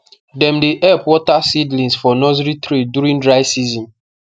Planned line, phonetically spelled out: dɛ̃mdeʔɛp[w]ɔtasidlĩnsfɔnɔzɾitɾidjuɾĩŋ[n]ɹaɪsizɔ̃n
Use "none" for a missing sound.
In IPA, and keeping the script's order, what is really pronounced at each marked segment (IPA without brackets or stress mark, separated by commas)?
w, d